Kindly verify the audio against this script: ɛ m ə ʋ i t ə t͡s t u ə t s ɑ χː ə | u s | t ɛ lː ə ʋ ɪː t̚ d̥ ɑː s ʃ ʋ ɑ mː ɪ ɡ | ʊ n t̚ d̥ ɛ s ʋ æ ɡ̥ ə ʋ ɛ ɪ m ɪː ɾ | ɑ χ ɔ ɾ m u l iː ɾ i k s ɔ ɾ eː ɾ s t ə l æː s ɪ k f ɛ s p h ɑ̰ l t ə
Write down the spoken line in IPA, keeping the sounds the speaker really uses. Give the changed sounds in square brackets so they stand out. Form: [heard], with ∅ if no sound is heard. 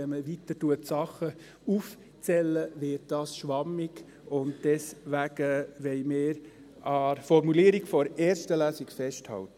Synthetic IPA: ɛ m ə ʋ i t ə [∅] t u ə t s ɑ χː ə | u [f] | [t͡s] ɛ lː ə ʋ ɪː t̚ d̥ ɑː s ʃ ʋ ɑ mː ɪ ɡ | ʊ n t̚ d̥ ɛ s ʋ æ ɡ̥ ə ʋ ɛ ɪ m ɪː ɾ | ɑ [f] ɔ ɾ m u l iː ɾ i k [f] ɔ ɾ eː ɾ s t ə l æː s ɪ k f ɛ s [t] h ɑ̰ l t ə